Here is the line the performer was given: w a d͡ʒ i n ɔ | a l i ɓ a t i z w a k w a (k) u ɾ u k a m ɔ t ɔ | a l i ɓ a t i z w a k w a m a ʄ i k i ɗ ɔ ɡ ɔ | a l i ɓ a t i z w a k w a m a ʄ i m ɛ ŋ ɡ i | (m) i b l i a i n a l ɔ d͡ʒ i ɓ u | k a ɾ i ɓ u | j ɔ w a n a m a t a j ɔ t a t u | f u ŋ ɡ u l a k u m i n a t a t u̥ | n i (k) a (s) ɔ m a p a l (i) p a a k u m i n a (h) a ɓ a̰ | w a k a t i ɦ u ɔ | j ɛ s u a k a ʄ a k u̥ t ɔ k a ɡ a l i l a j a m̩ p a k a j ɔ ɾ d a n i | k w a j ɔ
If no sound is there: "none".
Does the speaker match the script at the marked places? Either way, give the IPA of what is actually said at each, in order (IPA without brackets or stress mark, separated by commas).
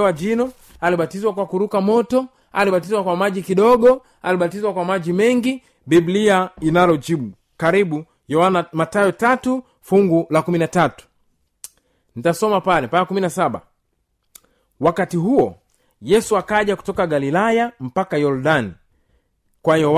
k, b, t, s, ɛ, s